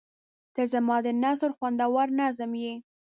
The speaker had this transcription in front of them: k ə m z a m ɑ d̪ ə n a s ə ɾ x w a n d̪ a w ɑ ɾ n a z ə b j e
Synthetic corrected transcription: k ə z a m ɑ d̪ ə n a s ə ɾ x w a n d̪ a w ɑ ɾ n a z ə m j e